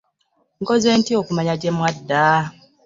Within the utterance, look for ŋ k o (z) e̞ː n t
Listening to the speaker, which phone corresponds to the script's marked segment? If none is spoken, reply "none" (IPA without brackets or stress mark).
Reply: z